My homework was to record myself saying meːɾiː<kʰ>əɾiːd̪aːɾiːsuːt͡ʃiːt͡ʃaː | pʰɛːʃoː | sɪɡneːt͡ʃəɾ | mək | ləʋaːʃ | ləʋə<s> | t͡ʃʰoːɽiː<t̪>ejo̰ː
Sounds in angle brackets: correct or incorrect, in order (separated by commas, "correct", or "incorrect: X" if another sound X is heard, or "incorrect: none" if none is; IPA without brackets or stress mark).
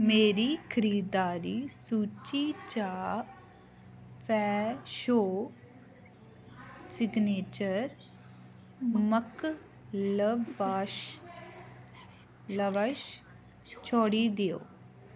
correct, incorrect: ʃ, incorrect: d̪